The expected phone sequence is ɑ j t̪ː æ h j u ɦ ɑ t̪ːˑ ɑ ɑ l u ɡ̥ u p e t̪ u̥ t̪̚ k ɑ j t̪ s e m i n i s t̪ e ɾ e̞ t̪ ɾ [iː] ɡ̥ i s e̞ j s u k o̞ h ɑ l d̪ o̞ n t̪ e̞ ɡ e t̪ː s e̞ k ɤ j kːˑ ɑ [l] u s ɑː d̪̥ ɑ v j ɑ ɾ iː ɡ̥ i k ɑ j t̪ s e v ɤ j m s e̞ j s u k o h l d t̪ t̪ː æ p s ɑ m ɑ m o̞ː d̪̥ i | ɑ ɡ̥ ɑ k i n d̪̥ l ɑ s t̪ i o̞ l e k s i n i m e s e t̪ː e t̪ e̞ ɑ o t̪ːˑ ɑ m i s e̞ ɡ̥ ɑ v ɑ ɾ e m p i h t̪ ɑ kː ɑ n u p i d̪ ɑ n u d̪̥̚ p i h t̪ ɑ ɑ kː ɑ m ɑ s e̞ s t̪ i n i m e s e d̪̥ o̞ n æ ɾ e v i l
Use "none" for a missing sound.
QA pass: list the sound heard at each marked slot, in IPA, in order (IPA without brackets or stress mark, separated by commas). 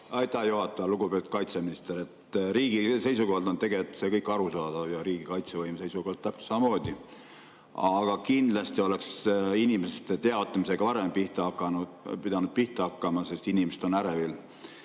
iː, ɾ